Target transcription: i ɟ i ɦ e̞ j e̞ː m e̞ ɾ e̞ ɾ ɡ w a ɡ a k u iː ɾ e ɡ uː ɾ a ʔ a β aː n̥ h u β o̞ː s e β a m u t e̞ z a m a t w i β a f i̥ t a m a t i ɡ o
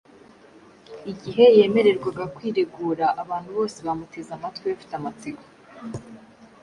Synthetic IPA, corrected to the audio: i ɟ i ɦ e̞ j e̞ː m e̞ ɾ e̞ ɾ ɡ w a ɡ a k w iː ɾ e ɡ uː ɾ a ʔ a β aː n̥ h u β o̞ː s e β a m u t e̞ z a m a t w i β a f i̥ t a m a t͡s i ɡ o